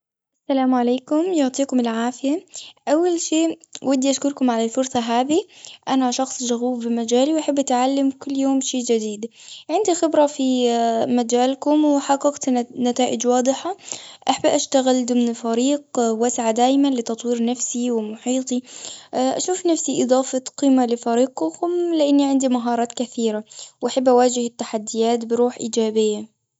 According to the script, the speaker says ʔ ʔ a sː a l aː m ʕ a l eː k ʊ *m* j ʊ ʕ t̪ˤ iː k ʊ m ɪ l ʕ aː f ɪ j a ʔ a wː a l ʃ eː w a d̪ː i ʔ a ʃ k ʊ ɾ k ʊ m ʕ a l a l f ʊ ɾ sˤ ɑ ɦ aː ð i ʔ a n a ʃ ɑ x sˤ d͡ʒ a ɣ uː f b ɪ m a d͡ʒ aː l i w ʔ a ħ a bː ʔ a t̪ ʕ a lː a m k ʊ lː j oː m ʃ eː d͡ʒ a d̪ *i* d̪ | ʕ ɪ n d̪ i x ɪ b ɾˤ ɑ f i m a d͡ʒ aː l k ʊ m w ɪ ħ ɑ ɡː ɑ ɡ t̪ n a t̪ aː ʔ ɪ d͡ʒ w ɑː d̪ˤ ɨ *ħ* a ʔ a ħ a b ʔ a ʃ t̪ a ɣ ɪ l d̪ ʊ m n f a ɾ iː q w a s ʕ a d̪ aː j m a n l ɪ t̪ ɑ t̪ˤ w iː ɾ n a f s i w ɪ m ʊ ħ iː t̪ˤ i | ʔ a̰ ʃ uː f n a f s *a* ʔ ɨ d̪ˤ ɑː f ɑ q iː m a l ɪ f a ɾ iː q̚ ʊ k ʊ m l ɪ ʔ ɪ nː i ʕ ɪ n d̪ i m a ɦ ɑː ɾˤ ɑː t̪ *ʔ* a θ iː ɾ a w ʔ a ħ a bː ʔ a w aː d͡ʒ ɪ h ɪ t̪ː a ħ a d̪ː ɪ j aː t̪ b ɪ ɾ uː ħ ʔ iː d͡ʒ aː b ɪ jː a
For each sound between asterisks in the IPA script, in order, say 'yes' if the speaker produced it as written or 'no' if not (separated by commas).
yes, no, yes, no, no